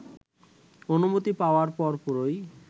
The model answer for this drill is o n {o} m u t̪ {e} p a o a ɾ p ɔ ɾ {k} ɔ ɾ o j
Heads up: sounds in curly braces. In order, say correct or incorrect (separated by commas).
incorrect, incorrect, incorrect